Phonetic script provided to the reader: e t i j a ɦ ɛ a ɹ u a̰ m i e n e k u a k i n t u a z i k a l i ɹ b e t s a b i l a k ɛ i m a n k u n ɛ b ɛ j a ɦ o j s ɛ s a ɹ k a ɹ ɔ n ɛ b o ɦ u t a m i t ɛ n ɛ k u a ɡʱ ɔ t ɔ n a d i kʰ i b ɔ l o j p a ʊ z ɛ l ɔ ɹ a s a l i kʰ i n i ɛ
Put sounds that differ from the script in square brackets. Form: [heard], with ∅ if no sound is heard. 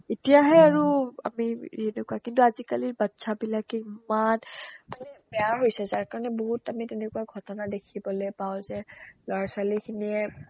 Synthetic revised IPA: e t i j a ɦ ɛ a ɹ u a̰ m i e n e k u a k i n t u a z i k a l i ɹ b [a] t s a b i l a k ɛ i m a n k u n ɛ b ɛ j a ɦ o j s ɛ [z] a ɹ k a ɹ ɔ n ɛ b o ɦ u t a m i t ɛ n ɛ k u a ɡʱ ɔ t ɔ n a d [e] kʰ i b ɔ l o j p a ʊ z ɛ l ɔ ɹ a s a l i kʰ i n i ɛ